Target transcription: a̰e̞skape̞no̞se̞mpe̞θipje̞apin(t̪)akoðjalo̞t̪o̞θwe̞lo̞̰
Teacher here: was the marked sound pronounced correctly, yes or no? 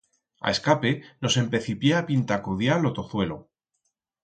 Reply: yes